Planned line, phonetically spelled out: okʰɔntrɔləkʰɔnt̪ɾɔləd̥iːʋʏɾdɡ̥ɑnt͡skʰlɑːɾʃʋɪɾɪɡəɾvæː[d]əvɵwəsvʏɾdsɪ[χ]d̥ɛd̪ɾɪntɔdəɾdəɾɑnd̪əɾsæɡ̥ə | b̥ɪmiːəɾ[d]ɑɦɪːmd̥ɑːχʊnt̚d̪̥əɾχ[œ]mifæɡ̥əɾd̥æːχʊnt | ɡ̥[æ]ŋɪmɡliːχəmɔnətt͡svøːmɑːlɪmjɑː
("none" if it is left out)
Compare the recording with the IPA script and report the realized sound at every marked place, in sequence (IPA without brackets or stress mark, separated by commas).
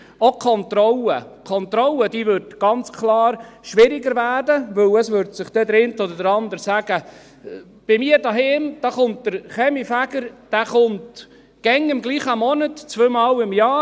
d, χ, d, ɛ, ɛ